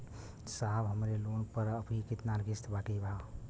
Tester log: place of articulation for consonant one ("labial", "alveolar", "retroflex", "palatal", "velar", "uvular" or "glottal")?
alveolar